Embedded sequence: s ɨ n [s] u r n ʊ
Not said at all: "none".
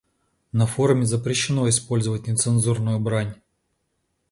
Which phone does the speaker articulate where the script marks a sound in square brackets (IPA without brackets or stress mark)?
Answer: z